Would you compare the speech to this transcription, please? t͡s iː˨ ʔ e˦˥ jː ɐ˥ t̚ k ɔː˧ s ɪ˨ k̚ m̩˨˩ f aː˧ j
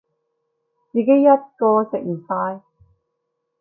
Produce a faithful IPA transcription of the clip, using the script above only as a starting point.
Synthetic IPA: t͡s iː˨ k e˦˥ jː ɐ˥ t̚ k ɔː˧ s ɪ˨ k̚ m̩˨˩ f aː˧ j

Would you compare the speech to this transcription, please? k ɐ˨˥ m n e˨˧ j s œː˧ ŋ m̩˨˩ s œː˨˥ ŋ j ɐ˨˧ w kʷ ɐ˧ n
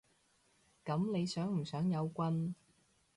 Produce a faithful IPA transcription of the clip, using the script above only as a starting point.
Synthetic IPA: k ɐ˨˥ m n e˨˧ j s œː˨˥ ŋ m̩˨˩ s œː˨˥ ŋ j ɐ˨˧ w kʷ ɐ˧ n

